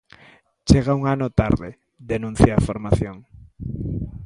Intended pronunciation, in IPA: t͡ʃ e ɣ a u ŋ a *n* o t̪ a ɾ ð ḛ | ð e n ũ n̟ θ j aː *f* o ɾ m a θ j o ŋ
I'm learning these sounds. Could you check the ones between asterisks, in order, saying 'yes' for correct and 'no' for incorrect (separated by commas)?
yes, yes